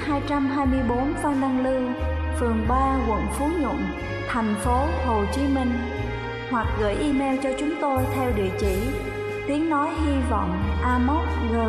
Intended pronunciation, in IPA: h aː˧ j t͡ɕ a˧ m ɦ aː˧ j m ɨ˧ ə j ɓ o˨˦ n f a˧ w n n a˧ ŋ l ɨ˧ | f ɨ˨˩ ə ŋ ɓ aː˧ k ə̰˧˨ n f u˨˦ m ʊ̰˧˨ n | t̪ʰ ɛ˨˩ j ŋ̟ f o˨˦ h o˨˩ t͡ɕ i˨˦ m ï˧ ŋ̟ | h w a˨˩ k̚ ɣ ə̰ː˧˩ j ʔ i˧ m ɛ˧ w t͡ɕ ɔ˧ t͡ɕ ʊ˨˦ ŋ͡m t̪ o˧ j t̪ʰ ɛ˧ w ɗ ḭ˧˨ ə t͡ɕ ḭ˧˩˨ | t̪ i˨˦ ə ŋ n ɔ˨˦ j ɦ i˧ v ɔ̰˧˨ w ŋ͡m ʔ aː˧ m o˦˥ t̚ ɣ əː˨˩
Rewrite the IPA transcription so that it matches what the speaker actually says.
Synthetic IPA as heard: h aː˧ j t͡ɕ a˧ m ɦ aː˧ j m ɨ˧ ə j ɓ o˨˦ n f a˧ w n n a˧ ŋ l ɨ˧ | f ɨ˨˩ ə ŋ ɓ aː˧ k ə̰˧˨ n f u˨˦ ɲ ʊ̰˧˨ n | t̪ʰ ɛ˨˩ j ŋ̟ f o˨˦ h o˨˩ t͡ɕ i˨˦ m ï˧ ŋ̟ | h w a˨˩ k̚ ɣ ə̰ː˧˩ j ʔ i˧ m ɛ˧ w t͡ɕ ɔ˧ t͡ɕ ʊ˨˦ ŋ͡m t̪ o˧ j t̪ʰ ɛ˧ w ɗ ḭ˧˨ ə t͡ɕ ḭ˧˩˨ | t̪ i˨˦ ə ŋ n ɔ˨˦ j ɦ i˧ v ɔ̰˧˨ w ŋ͡m ʔ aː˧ m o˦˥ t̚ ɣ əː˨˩